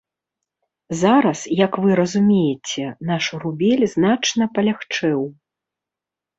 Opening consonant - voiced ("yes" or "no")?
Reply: yes